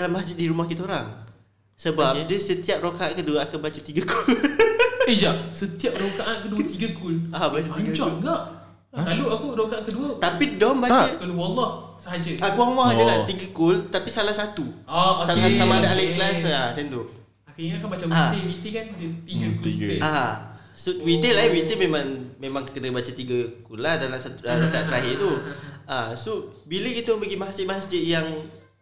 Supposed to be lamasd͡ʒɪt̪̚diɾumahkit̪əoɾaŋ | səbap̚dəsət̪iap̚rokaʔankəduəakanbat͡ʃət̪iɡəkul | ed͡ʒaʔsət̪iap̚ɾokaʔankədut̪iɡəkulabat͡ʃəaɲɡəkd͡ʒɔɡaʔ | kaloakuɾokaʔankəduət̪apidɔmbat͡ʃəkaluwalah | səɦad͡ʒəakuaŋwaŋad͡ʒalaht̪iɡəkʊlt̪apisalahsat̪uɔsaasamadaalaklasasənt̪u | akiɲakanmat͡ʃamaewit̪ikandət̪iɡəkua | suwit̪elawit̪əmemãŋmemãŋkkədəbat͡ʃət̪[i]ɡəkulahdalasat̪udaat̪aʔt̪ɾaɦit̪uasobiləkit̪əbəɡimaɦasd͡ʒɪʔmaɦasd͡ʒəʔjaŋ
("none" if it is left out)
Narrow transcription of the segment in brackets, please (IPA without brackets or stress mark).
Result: i